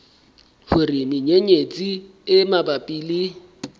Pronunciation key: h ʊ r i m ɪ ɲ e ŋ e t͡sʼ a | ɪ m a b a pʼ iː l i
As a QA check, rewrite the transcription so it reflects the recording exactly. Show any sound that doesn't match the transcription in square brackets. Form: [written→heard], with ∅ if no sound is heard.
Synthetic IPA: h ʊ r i m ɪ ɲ e [ŋ→ɲ] e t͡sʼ [a→i] | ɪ m a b a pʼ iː l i